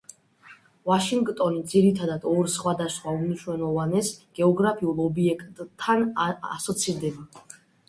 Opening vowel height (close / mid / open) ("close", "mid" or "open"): open